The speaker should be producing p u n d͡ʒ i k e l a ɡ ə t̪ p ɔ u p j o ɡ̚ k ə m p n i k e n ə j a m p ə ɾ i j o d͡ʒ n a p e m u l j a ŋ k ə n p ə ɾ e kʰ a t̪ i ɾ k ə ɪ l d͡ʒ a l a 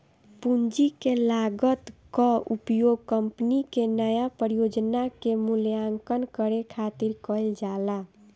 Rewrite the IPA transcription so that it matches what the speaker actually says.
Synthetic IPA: p u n d͡ʒ i k e l a ɡ ə t̪ k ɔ u p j o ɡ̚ k ə m p n i k e n ə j a p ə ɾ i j o d͡ʒ n a k e m u l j a ŋ k ə n k ə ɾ e kʰ a t̪ i ɾ k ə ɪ l d͡ʒ a l a